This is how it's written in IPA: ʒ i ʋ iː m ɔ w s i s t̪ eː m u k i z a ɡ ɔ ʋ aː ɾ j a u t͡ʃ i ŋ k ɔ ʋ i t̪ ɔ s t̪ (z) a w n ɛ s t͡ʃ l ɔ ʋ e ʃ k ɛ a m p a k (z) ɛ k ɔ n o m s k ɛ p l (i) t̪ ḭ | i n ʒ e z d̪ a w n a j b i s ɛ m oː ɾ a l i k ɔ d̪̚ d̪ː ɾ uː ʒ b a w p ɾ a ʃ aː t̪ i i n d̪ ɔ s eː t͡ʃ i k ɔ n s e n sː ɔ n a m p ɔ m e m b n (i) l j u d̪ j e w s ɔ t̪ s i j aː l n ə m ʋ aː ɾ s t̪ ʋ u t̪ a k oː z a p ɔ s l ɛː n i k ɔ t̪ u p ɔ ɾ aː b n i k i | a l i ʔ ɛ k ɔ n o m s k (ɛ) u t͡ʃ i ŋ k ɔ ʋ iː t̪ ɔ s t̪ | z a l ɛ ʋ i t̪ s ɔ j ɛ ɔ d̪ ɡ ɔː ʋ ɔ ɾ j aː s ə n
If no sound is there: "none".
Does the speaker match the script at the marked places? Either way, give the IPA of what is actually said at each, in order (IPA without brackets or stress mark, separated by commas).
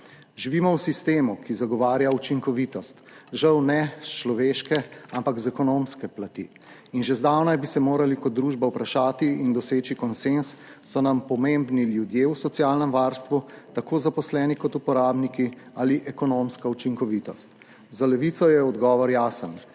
ʒ, z, a, i, a